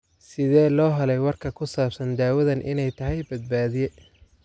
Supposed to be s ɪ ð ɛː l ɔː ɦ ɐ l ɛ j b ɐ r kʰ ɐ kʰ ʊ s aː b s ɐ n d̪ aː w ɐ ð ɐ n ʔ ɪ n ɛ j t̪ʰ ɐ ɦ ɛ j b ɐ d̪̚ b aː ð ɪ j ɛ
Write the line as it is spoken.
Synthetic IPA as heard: s ɪ ð ɛː l ɔː ɦ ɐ l ɛ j w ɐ r kʰ ɐ kʰ ʊ s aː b s ɐ n d̪ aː w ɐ ð ɐ n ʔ ɪ n ɛ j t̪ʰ ɐ ɦ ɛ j b ɐ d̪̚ b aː ð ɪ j ɛ